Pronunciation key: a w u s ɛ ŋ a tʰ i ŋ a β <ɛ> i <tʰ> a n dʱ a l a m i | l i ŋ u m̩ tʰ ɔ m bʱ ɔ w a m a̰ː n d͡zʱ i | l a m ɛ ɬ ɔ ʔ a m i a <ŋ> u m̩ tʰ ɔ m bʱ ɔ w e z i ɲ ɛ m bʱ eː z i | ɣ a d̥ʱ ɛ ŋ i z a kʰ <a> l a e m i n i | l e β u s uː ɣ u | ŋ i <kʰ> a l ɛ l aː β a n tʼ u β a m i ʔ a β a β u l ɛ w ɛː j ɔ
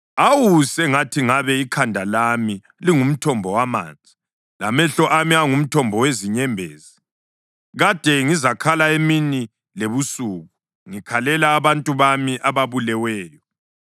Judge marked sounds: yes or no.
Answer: yes, no, yes, yes, yes

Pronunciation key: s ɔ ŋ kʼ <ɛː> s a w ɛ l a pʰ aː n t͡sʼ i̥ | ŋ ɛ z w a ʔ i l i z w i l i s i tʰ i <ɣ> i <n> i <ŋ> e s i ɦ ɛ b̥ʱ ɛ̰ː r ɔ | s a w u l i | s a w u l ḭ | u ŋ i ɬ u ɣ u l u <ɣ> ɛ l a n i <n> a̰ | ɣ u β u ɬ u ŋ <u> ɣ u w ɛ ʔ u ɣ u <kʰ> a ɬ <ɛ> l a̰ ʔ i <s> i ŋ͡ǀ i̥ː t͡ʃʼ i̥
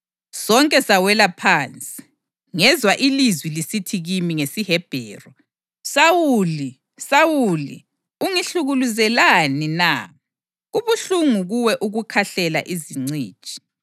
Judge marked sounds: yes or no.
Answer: no, yes, no, yes, no, yes, yes, yes, yes, no

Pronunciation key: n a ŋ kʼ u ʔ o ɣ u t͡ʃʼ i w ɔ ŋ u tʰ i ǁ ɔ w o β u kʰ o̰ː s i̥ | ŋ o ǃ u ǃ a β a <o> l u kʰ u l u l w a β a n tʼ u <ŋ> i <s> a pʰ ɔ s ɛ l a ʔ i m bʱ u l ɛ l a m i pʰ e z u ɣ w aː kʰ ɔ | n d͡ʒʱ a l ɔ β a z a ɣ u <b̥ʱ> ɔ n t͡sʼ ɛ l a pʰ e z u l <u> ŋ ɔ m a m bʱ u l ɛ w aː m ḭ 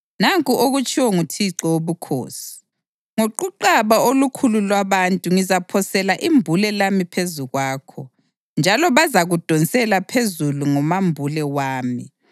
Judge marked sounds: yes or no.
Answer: yes, yes, no, no, yes

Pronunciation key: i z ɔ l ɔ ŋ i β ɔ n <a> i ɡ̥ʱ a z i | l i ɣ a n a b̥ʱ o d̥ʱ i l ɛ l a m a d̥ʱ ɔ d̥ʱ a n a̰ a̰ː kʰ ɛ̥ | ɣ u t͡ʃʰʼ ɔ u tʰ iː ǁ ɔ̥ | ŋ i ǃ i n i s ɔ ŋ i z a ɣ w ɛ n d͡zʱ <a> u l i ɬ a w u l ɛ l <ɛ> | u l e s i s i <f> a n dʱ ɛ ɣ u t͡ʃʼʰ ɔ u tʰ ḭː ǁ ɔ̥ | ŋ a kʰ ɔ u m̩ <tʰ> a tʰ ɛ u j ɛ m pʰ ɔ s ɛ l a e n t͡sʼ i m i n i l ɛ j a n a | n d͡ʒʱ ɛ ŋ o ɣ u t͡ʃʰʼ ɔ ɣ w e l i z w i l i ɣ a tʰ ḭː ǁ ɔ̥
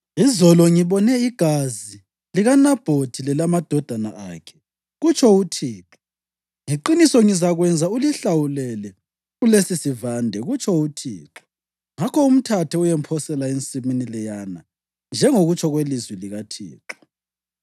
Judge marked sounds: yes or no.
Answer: no, yes, yes, no, yes

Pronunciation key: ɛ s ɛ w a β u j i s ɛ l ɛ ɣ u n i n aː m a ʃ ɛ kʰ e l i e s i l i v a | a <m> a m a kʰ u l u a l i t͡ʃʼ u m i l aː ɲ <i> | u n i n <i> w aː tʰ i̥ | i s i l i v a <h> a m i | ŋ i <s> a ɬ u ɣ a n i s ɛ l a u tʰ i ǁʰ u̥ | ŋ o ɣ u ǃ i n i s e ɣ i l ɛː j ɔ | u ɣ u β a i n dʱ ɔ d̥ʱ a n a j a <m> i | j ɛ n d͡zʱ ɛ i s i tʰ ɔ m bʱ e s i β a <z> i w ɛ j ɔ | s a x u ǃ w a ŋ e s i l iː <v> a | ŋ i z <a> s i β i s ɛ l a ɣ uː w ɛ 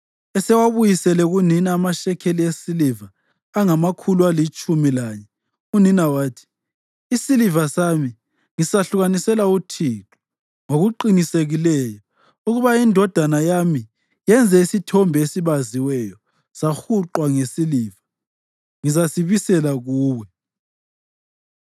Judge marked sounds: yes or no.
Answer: no, no, no, no, yes, yes, yes, yes, yes

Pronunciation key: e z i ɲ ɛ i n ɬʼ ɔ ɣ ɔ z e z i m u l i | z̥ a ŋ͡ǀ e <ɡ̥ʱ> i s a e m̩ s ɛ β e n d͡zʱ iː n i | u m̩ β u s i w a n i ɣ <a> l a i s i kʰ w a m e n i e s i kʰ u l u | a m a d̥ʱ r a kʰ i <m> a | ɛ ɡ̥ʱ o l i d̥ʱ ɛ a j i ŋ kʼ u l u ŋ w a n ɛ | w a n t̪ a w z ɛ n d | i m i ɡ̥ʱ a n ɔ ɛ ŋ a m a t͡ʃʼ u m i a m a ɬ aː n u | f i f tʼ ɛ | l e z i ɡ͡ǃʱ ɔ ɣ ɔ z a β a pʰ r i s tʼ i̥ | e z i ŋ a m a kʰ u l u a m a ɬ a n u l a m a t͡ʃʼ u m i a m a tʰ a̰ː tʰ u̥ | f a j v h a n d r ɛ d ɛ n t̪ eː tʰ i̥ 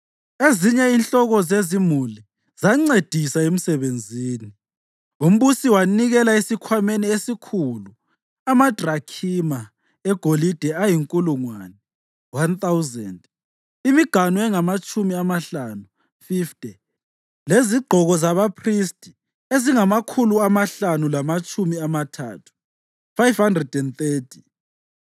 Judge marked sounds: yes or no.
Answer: no, no, yes

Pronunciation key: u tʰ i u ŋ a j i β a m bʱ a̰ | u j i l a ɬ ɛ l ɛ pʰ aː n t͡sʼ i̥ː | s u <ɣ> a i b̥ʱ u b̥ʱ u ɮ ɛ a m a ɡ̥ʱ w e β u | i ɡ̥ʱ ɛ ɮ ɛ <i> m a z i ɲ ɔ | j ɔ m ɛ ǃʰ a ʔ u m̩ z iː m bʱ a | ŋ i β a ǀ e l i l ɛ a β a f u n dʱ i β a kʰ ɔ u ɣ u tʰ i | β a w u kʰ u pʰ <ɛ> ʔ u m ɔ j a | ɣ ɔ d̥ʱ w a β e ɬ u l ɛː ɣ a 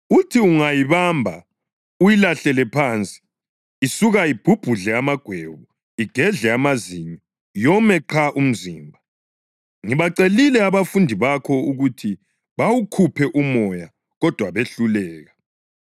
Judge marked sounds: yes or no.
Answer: yes, no, yes

